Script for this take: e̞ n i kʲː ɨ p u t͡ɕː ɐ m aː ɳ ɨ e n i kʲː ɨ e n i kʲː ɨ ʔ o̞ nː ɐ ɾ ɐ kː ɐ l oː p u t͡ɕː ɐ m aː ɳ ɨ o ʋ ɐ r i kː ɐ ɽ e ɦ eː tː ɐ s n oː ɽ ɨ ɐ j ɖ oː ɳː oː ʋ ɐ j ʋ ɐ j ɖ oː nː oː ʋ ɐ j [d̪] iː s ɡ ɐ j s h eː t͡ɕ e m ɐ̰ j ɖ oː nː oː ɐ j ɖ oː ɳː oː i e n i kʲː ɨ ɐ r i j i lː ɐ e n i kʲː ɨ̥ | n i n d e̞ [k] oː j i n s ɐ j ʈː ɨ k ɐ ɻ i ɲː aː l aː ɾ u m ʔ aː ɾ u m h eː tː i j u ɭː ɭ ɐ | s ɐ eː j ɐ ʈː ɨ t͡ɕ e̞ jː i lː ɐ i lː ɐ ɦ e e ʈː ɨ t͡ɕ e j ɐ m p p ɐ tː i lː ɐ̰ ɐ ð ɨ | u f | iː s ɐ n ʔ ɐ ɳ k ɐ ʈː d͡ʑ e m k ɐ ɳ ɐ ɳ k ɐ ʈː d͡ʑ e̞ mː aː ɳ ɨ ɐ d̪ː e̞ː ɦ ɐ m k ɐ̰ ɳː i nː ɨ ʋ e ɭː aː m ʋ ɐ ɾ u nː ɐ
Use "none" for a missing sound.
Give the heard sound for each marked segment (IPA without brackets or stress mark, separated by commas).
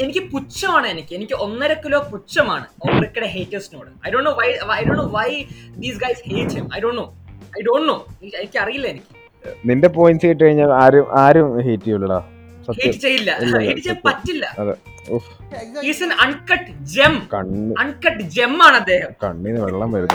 d̪, p